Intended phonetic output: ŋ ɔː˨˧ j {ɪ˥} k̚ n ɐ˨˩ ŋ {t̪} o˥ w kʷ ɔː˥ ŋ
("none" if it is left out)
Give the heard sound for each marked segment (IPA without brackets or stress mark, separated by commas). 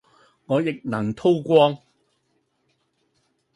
ɪ˨, t̪ʰ